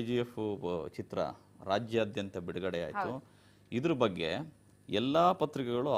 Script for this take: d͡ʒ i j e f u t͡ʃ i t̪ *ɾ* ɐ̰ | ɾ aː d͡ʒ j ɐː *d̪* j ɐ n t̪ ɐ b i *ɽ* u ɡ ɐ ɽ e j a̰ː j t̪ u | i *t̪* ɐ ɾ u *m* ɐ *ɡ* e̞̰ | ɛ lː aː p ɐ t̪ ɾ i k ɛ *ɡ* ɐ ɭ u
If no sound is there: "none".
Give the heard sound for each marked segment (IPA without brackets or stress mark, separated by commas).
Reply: ɾ, d̪, ɽ, d̪, b, ɡː, ɡ